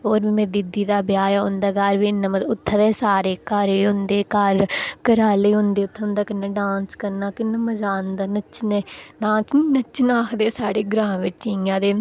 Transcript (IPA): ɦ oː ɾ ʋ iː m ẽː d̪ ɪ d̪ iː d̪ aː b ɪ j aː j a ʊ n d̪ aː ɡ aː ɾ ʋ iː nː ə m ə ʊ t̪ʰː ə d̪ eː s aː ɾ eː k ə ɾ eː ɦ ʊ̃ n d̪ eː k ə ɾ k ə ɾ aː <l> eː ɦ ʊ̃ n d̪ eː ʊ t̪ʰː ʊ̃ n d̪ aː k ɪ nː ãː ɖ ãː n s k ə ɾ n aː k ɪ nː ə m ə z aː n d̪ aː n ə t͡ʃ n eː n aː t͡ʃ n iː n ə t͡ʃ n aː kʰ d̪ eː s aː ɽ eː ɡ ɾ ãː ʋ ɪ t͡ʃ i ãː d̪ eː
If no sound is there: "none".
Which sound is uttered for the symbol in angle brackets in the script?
l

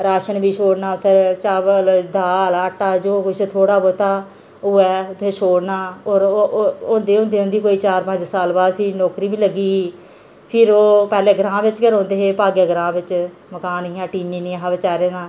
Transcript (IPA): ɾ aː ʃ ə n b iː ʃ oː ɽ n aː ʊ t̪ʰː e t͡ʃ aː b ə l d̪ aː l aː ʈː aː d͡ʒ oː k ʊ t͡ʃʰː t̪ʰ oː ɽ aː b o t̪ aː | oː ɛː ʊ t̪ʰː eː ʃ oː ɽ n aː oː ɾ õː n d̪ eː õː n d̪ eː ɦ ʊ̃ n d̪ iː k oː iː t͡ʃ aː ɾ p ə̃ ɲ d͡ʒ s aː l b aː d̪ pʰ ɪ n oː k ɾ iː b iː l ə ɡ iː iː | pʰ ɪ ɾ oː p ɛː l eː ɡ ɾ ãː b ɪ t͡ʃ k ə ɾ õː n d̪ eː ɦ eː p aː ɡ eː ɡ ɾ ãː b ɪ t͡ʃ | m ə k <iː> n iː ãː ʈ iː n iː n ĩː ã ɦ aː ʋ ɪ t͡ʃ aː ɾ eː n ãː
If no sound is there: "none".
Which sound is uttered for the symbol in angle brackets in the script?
aː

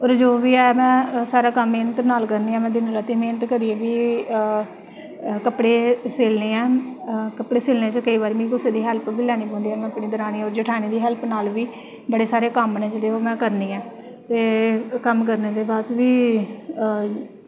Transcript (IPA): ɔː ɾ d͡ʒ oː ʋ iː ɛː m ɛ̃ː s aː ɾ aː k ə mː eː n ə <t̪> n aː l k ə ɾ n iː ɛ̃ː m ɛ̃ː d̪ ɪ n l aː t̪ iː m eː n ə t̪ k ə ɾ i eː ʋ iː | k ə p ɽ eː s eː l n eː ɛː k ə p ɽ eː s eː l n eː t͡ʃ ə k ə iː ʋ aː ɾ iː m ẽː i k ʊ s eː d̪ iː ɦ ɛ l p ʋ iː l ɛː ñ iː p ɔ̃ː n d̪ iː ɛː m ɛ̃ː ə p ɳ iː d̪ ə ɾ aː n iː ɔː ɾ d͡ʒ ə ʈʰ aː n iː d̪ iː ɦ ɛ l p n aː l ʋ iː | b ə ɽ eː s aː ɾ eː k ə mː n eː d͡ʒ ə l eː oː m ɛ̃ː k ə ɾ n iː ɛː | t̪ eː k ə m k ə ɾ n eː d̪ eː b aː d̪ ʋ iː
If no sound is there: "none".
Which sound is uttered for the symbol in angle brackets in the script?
t̪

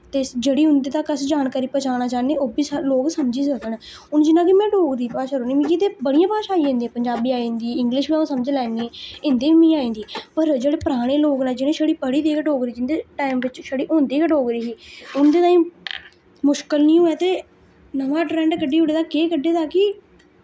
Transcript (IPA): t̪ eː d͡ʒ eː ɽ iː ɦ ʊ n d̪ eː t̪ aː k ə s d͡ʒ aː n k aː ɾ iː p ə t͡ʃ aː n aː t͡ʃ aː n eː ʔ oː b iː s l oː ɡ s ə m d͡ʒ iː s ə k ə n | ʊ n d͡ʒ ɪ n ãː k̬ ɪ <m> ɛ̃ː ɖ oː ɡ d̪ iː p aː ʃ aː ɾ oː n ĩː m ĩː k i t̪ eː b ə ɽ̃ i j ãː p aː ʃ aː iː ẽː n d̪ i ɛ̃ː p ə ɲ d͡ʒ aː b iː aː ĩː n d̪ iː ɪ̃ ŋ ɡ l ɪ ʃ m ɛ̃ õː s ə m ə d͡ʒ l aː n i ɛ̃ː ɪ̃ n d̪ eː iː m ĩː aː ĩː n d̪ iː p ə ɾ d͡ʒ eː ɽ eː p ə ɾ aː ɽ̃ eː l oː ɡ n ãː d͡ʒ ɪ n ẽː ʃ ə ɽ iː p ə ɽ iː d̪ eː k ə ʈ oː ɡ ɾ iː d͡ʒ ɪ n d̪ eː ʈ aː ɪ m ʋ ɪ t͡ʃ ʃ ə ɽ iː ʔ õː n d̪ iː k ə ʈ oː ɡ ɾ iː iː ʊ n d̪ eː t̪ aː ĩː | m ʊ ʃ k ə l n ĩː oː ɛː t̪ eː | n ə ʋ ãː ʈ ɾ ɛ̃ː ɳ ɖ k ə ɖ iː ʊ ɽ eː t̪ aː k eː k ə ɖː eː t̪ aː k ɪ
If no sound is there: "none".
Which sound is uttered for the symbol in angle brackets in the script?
m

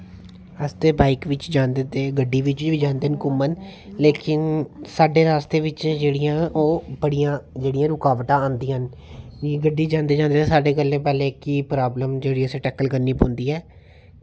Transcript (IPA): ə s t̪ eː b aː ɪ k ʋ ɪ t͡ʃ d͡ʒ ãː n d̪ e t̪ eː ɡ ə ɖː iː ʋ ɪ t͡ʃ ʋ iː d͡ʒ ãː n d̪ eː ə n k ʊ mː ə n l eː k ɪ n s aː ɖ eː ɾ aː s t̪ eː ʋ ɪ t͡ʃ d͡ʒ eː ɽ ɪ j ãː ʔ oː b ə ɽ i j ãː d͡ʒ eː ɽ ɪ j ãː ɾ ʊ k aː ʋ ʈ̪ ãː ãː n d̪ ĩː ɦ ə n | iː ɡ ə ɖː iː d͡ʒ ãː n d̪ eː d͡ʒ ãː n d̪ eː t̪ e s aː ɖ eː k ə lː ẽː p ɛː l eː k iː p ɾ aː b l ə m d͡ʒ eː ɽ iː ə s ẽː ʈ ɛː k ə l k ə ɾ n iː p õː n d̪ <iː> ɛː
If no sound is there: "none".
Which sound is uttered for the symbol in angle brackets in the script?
iː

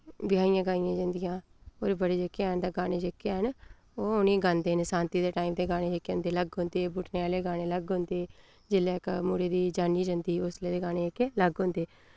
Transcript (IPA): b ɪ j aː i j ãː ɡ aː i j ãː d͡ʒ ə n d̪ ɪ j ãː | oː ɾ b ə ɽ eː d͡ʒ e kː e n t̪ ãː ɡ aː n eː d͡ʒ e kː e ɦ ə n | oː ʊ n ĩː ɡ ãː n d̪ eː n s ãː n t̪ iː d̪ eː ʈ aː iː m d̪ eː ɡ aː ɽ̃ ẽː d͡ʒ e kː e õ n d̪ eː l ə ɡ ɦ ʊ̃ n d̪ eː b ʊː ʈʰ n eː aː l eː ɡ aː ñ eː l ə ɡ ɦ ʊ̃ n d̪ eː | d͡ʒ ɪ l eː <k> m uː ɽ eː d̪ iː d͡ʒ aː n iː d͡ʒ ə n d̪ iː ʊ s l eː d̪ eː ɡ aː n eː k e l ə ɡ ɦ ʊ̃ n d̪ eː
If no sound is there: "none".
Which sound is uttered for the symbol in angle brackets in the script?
k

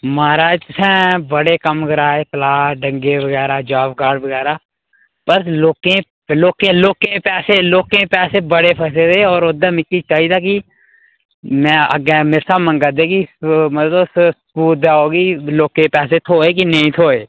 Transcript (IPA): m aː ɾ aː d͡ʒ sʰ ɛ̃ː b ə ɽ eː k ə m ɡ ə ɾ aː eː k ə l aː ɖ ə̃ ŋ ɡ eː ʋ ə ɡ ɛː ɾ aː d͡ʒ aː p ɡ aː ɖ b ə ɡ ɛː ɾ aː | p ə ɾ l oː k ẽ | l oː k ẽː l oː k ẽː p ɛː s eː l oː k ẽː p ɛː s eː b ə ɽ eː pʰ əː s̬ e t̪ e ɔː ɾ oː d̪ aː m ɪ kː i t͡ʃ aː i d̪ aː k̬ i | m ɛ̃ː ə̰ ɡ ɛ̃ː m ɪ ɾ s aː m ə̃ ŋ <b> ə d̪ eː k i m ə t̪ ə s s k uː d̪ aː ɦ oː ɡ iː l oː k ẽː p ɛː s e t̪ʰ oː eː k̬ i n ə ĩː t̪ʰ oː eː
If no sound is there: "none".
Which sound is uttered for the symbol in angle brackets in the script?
ɡ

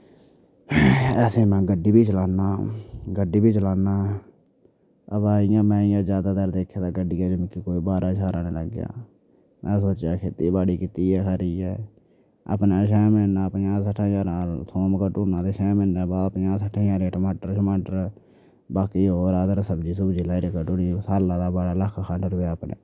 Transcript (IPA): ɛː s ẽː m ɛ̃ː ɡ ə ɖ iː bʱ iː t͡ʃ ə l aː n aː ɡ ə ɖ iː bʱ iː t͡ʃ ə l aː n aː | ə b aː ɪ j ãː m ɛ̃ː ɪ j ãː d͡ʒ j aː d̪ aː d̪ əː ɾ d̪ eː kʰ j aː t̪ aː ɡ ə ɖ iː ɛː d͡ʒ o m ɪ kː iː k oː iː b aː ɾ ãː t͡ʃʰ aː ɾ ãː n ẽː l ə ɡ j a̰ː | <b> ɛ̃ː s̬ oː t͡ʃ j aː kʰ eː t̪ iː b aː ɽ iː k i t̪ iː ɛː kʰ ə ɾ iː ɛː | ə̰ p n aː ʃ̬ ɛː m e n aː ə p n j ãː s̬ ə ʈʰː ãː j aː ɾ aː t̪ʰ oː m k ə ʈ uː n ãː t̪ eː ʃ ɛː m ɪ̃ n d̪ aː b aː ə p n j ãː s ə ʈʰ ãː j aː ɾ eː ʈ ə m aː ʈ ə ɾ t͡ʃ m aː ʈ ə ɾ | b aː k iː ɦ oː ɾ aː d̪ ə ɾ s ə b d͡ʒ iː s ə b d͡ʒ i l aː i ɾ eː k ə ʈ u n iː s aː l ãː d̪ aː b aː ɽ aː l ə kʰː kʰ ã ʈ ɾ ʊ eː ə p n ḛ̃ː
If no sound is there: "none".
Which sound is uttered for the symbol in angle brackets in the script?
m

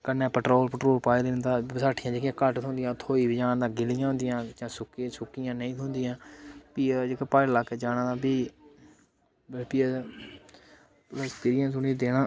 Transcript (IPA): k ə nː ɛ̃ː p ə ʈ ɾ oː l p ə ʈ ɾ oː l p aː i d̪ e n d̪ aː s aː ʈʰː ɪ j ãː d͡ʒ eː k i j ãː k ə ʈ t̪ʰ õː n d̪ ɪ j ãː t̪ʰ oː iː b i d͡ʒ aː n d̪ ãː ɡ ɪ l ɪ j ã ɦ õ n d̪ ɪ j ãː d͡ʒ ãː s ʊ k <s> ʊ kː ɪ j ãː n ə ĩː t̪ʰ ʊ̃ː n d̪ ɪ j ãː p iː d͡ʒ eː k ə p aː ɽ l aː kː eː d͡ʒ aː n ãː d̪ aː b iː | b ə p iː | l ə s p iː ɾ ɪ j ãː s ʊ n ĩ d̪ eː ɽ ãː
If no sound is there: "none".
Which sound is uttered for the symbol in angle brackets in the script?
s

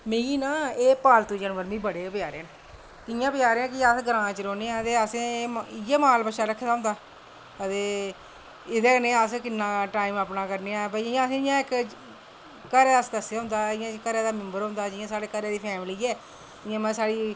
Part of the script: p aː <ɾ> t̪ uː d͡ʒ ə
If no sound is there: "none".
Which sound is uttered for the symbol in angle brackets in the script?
l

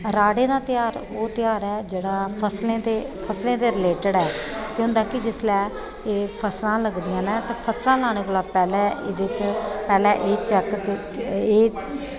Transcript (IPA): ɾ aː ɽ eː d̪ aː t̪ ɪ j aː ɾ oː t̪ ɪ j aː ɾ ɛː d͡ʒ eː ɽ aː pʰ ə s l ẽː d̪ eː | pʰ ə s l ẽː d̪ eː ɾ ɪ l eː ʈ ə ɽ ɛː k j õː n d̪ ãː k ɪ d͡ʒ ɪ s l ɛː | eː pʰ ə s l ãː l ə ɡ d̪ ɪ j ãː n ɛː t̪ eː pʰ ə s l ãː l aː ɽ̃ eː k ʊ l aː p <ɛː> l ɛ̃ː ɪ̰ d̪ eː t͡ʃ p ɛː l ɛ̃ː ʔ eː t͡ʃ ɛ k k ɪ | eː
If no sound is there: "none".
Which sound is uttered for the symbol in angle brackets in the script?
ɛː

